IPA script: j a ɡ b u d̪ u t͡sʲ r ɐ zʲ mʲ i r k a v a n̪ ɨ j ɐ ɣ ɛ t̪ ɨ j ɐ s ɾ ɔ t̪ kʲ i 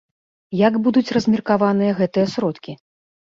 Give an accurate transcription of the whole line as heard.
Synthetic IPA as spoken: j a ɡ b u d̪ u t͡sʲ r ɐ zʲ mʲ i r k a v a n̪ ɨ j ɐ ɣ ɛ t̪ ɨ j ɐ s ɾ ɔ t̪ kʲ i